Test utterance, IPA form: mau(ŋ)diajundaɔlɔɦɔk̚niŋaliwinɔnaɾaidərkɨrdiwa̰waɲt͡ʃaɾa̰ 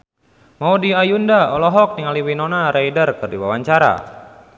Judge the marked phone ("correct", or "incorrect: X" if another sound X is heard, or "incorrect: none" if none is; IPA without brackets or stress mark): incorrect: none